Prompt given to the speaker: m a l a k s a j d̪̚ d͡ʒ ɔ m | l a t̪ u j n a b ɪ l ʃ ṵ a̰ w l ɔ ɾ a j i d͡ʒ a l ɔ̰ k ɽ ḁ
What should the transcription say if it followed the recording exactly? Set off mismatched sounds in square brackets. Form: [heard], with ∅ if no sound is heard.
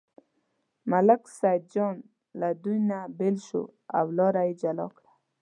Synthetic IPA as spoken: m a l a k s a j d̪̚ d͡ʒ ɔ [n] | l a [d̪] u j n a b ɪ l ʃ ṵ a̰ w l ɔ ɾ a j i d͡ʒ a l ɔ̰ k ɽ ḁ